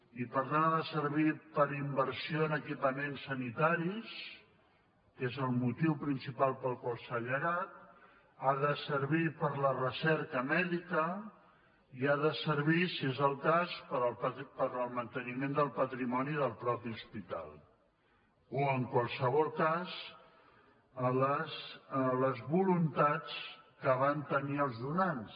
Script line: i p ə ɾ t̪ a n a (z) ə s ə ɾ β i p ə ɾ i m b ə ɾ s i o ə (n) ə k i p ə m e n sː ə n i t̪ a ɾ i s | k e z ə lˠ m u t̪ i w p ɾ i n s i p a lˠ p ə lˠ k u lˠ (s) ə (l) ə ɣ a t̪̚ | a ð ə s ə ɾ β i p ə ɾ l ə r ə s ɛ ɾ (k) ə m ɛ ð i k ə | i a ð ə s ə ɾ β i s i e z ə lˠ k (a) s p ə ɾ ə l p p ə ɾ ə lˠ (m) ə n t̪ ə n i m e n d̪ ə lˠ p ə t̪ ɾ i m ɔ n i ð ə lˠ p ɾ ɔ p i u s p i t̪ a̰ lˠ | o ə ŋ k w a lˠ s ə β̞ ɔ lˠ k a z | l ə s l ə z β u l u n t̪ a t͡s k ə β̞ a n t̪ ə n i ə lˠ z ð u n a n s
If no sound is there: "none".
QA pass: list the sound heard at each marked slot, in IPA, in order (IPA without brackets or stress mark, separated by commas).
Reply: ð, n, s, ʎ, k, a, m